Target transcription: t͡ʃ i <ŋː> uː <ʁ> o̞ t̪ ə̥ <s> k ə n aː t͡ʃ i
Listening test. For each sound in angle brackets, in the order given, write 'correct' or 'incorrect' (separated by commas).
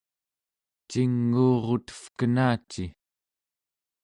correct, correct, incorrect